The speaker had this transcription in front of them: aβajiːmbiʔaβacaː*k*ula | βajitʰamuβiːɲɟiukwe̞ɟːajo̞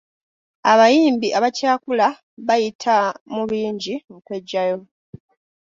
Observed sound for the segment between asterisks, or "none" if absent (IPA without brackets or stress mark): k